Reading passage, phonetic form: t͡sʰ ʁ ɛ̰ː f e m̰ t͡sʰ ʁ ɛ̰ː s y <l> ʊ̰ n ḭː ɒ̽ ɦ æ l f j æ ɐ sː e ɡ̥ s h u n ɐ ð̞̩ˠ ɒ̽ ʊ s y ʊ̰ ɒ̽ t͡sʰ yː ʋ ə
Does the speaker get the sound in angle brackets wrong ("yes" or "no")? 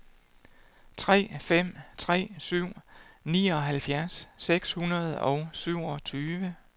yes